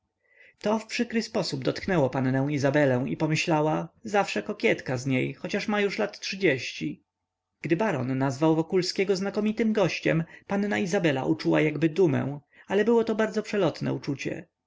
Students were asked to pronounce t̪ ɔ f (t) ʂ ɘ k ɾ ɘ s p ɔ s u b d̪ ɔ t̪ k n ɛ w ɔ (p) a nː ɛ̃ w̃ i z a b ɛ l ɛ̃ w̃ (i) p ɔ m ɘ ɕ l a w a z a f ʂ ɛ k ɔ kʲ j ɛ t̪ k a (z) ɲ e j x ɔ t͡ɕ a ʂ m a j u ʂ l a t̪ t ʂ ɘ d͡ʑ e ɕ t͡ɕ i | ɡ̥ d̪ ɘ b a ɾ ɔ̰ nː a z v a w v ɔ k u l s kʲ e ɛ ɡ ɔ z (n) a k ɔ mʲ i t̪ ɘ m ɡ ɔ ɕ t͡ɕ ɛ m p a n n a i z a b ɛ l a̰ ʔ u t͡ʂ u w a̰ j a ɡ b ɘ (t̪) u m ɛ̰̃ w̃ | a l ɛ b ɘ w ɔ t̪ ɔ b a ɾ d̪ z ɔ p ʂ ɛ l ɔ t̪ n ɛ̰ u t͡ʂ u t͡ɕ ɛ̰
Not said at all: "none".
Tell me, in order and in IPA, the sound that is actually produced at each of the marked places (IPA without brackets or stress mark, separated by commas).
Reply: p, p, i, z, n, d̪